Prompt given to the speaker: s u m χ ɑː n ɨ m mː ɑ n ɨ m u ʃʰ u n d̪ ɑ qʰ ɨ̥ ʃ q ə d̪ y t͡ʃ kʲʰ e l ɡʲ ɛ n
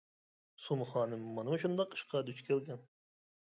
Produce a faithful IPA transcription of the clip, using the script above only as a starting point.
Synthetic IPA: s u m χ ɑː n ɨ m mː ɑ n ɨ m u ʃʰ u n d̪ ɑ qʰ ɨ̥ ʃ q ɑ d̪ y t͡ʃ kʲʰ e l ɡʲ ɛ n